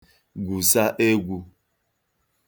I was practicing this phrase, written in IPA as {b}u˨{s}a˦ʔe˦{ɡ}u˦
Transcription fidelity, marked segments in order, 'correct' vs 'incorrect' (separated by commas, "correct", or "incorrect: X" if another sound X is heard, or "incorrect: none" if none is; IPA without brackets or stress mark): incorrect: ɡ, correct, correct